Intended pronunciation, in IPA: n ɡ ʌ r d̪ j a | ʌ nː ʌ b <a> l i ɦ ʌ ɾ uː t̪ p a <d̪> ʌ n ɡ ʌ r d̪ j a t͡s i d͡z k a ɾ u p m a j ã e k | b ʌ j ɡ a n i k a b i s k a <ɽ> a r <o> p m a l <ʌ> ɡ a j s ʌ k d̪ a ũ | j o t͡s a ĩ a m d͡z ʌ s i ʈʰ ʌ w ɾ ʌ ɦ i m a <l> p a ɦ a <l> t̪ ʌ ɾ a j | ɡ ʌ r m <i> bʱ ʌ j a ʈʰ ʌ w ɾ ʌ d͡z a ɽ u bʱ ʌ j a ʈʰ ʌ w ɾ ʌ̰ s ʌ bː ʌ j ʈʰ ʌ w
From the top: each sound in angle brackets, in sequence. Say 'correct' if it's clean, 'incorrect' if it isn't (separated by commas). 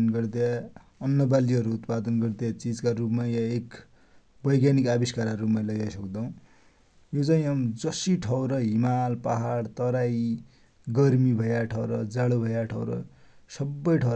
correct, correct, incorrect, incorrect, correct, correct, incorrect, correct